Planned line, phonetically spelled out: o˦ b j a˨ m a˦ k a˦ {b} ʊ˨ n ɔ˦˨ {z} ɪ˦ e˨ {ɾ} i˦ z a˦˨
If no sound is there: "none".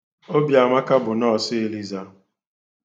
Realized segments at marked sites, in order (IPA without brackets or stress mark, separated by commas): b, s, l